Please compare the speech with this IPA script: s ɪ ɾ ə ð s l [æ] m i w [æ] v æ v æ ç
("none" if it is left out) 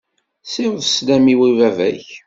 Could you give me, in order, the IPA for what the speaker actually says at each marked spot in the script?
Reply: æ, i

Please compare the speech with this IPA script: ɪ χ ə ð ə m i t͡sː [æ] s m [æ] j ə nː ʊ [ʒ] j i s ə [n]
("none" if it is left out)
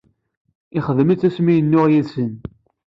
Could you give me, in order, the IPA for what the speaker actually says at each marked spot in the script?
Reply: æ, i, ʁ, n

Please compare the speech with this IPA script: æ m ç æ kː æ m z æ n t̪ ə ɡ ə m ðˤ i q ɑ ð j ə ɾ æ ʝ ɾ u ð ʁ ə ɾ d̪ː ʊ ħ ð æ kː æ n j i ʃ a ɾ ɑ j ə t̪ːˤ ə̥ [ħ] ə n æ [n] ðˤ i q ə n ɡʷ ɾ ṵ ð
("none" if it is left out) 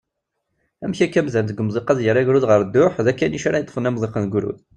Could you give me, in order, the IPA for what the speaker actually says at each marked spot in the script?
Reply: f, m

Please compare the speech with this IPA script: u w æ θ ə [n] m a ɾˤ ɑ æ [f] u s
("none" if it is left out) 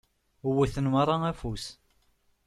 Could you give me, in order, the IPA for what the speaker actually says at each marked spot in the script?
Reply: n, f

